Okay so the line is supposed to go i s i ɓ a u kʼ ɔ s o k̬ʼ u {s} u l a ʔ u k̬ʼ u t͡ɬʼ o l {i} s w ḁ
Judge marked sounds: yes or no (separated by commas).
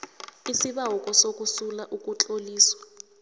yes, no